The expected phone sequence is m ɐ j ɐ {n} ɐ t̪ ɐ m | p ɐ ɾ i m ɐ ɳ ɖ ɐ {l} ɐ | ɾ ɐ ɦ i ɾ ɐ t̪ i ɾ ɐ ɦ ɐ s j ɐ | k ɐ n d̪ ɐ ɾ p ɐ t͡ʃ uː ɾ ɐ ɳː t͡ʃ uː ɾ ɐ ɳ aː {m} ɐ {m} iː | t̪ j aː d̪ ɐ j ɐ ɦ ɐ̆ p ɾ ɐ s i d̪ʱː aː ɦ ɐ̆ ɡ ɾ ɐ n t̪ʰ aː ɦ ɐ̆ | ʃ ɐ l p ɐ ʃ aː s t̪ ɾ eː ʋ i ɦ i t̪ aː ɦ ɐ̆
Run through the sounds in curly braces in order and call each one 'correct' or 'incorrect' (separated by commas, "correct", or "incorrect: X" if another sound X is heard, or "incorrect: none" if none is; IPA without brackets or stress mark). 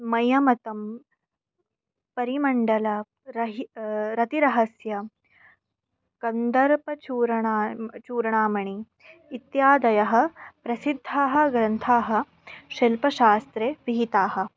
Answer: incorrect: m, correct, correct, incorrect: ɳ